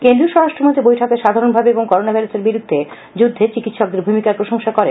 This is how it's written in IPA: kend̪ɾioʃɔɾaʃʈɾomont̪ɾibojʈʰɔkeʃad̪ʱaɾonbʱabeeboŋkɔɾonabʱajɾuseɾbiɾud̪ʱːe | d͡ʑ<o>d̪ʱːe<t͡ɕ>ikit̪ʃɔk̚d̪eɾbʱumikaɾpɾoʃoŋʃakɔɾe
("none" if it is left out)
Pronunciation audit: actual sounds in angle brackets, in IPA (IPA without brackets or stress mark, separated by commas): u, t͡ɕ